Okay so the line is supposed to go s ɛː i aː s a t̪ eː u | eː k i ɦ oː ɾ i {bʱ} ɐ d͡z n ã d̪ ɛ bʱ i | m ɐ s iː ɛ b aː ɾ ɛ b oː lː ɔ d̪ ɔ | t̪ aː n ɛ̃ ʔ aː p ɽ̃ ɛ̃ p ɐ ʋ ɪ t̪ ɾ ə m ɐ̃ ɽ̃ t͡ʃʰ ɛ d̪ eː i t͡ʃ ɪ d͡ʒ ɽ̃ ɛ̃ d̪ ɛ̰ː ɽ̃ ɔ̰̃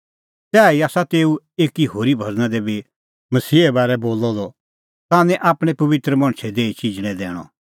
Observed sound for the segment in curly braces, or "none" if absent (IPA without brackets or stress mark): bʱ